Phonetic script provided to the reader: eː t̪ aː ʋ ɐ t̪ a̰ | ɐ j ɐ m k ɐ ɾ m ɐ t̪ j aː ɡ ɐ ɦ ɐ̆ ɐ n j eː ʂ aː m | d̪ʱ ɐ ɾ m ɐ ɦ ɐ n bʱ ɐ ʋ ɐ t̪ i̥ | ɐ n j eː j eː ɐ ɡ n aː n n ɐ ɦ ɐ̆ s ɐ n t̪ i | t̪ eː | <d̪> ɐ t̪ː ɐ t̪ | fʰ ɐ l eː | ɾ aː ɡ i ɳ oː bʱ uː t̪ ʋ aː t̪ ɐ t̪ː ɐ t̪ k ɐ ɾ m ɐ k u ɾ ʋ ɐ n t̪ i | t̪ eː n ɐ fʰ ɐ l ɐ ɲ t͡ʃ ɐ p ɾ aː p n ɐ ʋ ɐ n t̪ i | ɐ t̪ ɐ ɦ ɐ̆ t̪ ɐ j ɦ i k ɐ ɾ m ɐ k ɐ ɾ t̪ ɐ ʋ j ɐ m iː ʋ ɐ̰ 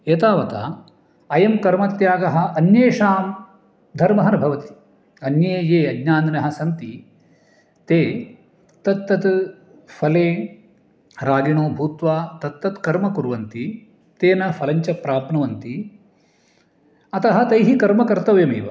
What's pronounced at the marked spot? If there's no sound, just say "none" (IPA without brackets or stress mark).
t̪